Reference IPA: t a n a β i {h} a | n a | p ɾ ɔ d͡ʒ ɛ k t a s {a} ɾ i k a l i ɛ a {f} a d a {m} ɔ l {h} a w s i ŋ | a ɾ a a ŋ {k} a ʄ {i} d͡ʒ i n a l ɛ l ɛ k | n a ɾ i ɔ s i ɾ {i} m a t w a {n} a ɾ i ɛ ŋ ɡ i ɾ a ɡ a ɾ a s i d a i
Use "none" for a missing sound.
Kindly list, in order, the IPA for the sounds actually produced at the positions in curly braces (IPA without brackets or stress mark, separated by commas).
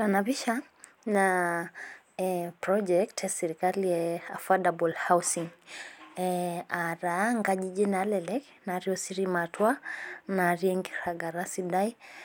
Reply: ʃ, ɛ, f, b, h, ɡ, i, i, n